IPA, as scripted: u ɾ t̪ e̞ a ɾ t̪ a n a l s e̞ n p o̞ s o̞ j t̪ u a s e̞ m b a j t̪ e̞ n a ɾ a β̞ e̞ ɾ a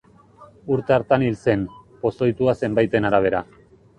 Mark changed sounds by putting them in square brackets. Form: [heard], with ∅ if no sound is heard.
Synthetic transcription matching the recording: u ɾ t̪ e̞ a ɾ t̪ a n [i] l s e̞ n p o̞ s o̞ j t̪ u a s e̞ m b a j t̪ e̞ n a ɾ a β̞ e̞ ɾ a